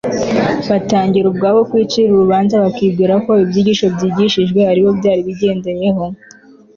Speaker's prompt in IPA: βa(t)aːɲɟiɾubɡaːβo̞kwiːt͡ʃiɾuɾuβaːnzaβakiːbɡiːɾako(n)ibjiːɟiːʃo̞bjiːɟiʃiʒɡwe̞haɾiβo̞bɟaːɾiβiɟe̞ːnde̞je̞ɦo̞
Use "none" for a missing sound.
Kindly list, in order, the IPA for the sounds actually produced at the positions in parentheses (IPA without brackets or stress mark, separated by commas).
t, none